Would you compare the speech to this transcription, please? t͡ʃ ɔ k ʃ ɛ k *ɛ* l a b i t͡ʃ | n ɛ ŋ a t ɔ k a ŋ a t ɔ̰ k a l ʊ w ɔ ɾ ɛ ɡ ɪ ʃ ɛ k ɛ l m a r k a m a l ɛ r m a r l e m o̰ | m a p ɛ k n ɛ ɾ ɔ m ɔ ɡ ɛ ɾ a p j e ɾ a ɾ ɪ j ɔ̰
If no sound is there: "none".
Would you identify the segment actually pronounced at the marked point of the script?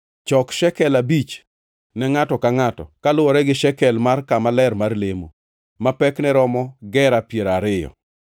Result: ɛ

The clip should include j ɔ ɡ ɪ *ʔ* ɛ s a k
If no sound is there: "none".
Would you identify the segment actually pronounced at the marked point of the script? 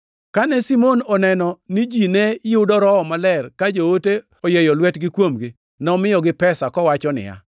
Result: p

